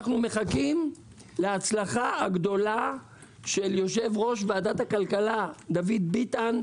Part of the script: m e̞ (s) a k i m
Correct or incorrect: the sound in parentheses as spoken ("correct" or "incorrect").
incorrect